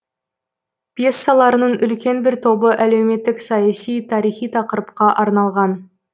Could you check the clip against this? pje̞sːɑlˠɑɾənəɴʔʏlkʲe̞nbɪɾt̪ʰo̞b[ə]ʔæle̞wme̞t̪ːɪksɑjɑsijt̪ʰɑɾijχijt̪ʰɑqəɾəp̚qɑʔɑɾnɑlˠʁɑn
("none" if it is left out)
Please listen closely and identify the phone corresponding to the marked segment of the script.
ə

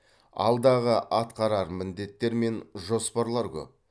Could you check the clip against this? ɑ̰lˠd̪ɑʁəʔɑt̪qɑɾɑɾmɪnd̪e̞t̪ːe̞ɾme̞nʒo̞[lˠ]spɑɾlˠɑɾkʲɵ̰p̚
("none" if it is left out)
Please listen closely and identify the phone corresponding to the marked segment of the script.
none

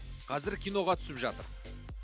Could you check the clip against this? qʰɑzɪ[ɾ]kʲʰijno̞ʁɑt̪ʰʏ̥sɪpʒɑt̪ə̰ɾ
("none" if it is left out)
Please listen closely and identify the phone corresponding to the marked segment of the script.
ɾ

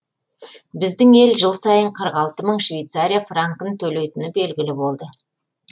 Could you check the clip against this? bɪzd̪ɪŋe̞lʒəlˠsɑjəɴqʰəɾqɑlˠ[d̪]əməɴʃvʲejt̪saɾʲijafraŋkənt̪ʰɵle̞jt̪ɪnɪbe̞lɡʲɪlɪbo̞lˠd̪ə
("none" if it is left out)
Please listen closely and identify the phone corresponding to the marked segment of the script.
t̪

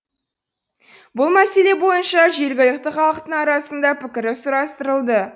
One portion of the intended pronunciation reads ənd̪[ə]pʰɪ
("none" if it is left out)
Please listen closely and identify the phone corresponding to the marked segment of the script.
ɑ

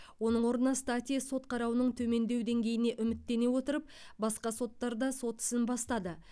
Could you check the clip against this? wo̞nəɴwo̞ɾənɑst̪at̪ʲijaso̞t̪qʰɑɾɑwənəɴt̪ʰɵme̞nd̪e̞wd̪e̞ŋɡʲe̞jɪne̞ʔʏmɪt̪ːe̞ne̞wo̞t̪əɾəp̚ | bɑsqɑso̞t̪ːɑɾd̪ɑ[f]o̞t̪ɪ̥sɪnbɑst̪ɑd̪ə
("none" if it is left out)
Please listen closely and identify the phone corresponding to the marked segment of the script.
s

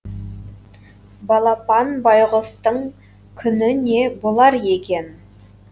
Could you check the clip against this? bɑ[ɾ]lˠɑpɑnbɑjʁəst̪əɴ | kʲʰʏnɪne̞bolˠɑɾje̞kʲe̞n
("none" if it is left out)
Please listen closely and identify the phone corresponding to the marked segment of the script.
none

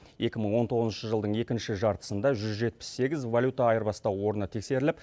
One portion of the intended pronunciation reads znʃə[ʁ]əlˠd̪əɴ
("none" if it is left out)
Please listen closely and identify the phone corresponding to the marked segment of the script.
ʒ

